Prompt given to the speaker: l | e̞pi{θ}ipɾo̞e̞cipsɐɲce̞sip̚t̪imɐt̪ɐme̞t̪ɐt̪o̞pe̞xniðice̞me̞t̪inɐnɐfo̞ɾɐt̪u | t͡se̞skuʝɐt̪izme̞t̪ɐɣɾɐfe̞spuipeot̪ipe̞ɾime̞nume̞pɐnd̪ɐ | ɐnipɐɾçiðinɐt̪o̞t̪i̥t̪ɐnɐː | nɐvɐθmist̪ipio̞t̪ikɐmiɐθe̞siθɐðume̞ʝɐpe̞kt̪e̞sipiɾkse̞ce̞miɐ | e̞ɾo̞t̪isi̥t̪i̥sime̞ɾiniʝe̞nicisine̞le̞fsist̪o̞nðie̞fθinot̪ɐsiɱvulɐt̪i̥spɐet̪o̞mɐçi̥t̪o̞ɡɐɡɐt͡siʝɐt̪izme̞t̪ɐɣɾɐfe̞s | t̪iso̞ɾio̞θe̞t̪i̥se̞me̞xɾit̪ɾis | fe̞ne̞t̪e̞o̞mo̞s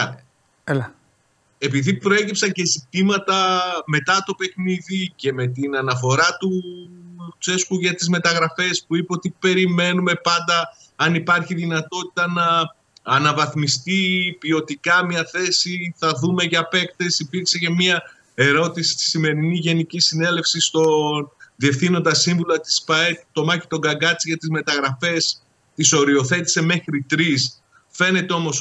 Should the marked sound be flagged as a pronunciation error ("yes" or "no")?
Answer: yes